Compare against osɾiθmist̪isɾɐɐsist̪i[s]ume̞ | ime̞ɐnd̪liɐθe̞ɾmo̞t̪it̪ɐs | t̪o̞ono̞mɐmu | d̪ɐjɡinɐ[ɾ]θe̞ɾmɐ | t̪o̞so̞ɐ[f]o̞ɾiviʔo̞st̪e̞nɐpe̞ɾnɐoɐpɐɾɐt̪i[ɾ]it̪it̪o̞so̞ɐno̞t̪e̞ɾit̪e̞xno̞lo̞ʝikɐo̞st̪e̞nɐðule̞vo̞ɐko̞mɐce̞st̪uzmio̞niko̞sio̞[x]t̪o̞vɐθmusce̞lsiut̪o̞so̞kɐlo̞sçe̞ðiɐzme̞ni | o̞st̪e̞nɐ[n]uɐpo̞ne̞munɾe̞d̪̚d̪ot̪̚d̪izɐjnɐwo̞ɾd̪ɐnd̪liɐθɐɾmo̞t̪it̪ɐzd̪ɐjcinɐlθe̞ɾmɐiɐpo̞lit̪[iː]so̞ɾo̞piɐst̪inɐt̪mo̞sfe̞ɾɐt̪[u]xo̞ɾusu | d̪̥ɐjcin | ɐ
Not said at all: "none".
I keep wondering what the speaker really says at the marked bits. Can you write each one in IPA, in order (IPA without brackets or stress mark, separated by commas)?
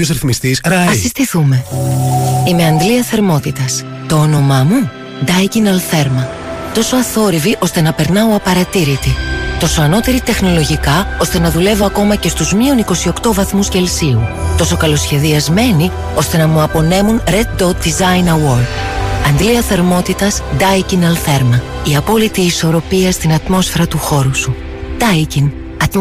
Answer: θ, l, θ, ɾ, k, m, iː, u